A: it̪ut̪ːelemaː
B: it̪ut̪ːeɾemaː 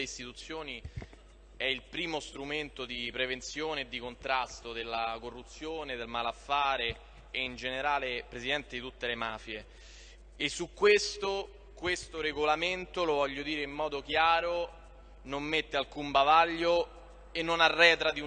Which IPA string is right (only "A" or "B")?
A